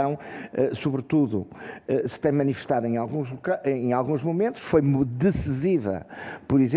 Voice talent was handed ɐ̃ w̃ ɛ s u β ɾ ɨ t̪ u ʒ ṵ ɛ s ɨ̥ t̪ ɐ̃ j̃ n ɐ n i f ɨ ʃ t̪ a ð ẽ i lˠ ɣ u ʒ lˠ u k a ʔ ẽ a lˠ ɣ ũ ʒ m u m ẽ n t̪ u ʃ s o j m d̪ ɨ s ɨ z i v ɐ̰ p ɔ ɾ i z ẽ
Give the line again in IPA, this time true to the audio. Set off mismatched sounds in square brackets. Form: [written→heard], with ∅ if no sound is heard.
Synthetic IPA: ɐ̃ w̃ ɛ s u β ɾ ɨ t̪ u [ʒ→ð] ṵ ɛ s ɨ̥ t̪ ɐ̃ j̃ [n→m] ɐ n i f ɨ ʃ t̪ a ð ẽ [i→a] lˠ ɣ [u→ũ] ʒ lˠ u k a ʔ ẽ a lˠ ɣ ũ ʒ m u m ẽ n t̪ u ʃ [s→f] o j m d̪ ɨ s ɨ z i v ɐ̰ p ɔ ɾ i z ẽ